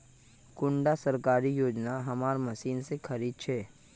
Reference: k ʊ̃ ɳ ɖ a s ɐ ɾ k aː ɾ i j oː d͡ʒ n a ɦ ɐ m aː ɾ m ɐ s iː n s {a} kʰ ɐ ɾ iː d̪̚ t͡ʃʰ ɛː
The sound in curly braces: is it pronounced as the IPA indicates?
no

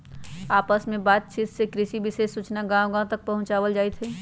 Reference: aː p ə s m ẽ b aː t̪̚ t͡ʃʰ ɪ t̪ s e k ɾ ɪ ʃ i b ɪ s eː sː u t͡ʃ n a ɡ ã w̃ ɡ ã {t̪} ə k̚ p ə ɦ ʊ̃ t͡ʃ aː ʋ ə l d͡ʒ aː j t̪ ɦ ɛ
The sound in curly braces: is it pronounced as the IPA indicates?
yes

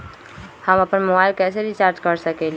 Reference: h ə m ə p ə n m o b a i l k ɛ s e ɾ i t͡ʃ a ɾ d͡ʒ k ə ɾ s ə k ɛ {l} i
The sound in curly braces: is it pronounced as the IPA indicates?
yes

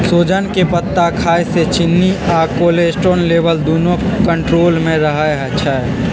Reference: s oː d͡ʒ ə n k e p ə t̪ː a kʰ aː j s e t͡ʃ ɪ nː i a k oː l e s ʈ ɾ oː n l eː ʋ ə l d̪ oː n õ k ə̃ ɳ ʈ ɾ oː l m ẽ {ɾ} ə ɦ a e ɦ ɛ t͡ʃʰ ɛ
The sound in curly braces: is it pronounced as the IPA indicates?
yes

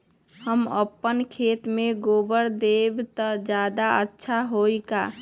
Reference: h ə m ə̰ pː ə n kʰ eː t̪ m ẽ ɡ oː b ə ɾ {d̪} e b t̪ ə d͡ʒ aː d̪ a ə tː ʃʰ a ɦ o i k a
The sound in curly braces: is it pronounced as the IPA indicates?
yes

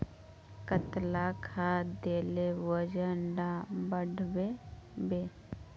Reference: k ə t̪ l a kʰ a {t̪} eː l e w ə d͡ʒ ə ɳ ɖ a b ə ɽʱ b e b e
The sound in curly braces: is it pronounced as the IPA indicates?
no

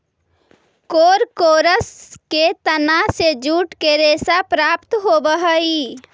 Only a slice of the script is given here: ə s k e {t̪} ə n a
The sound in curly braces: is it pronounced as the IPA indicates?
yes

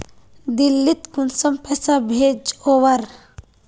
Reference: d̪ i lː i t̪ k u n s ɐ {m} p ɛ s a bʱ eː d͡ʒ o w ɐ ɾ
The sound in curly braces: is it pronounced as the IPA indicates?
yes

